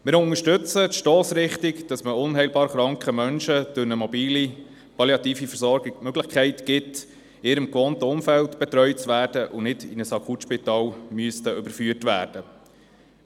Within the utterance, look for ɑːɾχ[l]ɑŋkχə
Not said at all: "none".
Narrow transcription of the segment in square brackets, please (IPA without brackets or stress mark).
ɾ